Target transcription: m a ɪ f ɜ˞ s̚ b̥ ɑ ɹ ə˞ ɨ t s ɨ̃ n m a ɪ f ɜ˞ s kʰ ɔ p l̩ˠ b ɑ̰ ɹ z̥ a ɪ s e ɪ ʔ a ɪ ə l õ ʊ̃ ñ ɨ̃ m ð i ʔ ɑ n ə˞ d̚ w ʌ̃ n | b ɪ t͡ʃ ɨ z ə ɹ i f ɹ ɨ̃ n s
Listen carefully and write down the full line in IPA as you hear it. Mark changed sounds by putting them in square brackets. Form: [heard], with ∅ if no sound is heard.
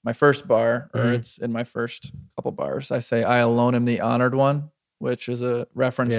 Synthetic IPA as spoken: m a ɪ f ɜ˞ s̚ b̥ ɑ ɹ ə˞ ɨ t s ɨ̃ n m a ɪ f ɜ˞ s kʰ [ʌ] p l̩ˠ b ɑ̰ ɹ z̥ a ɪ s e ɪ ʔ a ɪ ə l õ ʊ̃ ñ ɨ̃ m ð i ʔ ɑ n ə˞ d̚ w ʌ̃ n | [w] ɪ t͡ʃ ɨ z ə ɹ [ɛ] f ɹ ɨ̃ n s